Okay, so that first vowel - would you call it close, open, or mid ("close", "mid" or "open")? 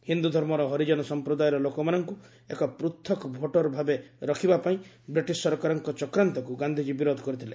close